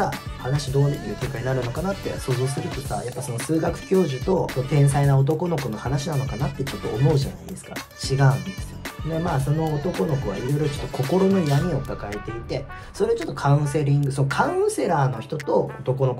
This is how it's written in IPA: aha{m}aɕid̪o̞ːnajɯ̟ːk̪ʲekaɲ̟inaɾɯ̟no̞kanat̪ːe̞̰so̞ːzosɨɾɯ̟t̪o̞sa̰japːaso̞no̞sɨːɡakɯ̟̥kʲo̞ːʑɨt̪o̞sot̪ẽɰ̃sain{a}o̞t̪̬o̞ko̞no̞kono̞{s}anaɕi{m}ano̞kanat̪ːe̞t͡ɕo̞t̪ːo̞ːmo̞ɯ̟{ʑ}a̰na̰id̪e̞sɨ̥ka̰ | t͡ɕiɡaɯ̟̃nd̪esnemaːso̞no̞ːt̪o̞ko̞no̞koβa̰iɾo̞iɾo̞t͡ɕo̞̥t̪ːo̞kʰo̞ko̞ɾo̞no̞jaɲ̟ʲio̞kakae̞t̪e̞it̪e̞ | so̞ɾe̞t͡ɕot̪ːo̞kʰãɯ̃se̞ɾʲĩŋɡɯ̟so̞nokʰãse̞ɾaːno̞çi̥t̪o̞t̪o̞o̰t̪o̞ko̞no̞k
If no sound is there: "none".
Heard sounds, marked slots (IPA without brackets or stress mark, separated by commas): n, a, h, n, ʑ